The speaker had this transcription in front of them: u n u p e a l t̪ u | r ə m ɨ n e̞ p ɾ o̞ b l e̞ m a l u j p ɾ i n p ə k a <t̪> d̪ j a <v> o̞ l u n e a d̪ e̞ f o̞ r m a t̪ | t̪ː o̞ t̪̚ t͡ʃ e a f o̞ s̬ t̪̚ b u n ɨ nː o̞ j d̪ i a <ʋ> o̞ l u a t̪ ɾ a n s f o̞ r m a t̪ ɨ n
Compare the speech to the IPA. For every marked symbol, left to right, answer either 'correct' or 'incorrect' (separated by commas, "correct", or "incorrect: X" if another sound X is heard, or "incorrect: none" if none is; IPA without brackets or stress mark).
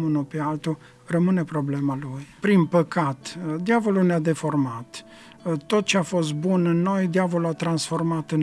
correct, correct, incorrect: v